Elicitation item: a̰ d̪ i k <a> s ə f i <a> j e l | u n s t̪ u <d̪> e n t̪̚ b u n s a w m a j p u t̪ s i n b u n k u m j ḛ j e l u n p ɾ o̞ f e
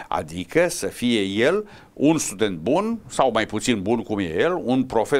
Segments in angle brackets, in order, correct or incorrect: incorrect: ə, incorrect: e, correct

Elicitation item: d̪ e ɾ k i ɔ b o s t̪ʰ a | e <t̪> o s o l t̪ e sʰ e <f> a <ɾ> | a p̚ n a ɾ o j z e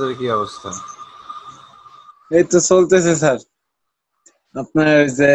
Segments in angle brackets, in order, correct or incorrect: correct, incorrect: s, correct

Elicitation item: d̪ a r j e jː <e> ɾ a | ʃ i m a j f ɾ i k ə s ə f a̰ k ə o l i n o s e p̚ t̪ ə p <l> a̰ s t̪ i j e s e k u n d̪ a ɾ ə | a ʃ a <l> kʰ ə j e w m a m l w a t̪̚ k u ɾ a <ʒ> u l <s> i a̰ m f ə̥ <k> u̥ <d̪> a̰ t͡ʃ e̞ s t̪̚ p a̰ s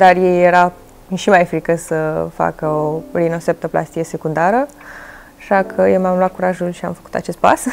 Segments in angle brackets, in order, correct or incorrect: correct, correct, incorrect: none, correct, incorrect: ʃ, correct, incorrect: t̪

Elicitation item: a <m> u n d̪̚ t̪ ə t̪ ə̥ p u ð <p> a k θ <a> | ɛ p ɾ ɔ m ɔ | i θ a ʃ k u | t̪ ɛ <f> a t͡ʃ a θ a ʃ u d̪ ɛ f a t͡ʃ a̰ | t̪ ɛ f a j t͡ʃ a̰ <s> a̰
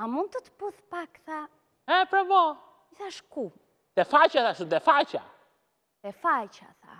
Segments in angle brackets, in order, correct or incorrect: correct, correct, correct, correct, incorrect: θ

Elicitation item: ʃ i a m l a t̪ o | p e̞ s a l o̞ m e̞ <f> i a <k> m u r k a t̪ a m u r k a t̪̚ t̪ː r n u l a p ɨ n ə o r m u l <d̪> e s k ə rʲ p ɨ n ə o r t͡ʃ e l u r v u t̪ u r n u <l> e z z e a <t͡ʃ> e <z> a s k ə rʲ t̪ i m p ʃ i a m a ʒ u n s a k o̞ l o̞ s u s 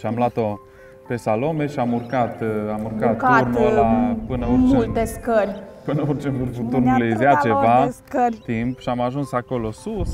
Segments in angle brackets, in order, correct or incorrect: incorrect: ʃ, incorrect: none, incorrect: t̪, correct, correct, incorrect: v

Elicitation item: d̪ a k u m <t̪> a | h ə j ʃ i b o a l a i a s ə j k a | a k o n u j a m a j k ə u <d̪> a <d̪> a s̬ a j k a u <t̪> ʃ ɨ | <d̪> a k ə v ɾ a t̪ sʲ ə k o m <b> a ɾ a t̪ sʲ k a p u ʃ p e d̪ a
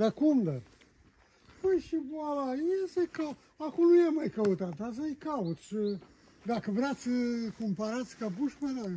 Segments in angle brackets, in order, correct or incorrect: incorrect: d̪, incorrect: t̪, incorrect: t̪, correct, correct, incorrect: p

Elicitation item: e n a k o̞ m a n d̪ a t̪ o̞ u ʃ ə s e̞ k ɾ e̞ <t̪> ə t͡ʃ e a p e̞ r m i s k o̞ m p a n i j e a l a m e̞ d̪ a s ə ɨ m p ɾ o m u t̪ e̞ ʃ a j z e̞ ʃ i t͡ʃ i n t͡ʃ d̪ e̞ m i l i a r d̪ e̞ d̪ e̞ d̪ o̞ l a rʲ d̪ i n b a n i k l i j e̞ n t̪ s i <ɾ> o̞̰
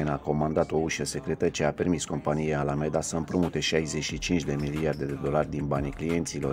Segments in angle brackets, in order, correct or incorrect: correct, incorrect: l

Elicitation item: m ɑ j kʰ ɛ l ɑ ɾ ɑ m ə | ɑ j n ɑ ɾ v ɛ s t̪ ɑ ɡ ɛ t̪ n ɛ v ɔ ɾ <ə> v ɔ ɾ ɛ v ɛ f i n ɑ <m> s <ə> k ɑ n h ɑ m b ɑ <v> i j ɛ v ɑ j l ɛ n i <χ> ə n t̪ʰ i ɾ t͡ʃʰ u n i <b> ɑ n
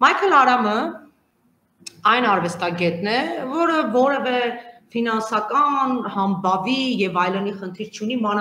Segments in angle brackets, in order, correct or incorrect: correct, incorrect: n, incorrect: ɑ, correct, correct, incorrect: m

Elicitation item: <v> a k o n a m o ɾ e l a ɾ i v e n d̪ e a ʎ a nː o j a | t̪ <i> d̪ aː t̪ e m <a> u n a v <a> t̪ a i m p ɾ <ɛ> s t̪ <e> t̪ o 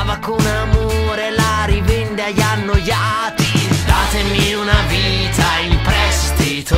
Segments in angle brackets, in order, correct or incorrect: correct, correct, incorrect: i, incorrect: i, correct, incorrect: i

